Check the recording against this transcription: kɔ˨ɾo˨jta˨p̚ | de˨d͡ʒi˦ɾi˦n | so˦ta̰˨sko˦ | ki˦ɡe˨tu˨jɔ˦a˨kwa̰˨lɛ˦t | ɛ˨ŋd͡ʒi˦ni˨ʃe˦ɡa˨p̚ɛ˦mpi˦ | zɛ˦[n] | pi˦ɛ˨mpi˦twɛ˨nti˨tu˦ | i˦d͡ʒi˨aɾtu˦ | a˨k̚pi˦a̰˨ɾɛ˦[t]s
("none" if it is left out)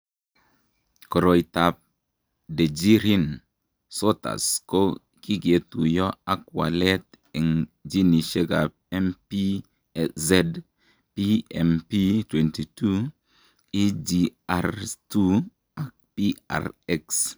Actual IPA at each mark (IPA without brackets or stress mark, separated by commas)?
d, k